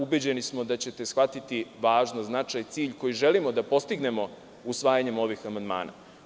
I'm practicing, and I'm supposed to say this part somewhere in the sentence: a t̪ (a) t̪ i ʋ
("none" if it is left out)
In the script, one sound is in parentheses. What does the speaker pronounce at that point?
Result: i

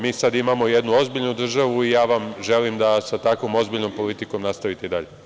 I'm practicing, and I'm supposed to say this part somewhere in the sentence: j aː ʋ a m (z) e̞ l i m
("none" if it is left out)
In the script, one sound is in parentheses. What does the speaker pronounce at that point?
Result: ʒ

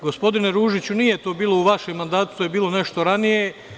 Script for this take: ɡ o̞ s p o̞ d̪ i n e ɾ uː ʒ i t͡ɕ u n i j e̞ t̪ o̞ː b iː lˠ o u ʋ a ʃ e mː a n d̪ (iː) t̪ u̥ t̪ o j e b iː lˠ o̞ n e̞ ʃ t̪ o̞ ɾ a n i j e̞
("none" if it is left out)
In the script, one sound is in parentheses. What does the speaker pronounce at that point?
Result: aː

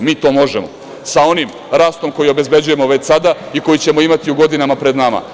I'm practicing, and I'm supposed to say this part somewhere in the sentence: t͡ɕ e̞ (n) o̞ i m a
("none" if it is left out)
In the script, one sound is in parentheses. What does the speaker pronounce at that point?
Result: m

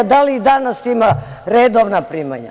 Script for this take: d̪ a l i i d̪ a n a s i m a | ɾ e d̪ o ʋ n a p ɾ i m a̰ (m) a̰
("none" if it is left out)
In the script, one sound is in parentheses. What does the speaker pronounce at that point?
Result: ɲ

